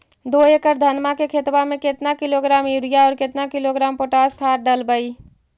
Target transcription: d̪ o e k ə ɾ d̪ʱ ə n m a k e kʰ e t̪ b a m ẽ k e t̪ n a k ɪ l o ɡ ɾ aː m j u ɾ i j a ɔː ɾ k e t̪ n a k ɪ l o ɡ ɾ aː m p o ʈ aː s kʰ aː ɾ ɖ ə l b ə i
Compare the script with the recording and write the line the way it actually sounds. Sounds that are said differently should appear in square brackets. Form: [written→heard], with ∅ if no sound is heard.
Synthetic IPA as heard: d̪ o e k ə ɾ d̪ʱ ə n m a k e kʰ e t̪ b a m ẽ k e t̪ n a k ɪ l o ɡ ɾ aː m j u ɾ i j a ɔː ɾ k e t̪ n a k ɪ l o ɡ ɾ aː m p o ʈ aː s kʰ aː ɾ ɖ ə l b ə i